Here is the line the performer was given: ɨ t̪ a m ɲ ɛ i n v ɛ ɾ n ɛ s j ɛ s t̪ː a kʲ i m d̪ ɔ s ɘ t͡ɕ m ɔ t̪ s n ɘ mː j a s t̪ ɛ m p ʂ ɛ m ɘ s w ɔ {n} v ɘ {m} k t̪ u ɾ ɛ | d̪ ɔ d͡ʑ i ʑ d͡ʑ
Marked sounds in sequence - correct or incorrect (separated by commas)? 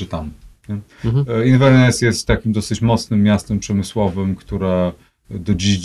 incorrect, correct